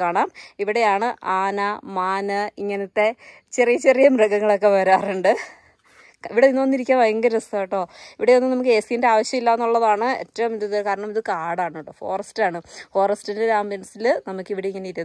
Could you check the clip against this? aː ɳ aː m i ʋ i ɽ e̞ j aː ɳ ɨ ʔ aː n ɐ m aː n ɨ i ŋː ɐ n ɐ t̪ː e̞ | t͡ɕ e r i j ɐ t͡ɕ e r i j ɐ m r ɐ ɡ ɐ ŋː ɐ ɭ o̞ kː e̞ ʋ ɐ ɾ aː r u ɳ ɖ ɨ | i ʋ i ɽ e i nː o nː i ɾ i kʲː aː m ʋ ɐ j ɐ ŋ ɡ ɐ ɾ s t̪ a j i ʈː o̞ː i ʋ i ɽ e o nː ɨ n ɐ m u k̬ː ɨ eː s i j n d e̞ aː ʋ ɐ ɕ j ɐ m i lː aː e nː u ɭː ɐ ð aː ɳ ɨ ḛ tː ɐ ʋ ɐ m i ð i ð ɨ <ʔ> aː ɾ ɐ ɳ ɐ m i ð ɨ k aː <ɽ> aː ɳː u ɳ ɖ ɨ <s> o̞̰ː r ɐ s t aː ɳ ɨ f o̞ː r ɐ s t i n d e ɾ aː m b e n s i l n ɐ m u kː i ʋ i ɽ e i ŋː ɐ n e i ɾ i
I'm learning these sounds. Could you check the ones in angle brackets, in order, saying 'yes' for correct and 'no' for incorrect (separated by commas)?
no, yes, no